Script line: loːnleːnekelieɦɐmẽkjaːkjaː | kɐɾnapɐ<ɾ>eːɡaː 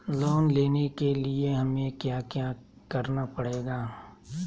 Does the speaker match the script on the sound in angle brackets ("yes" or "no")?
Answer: no